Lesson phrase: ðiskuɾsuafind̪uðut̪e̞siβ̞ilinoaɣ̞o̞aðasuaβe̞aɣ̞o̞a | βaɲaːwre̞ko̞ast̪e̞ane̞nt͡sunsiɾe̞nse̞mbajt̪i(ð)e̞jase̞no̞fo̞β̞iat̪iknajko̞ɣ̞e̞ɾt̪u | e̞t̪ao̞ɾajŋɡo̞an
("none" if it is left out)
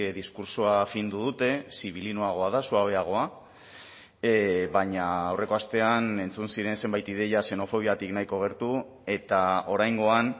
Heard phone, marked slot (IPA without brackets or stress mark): ð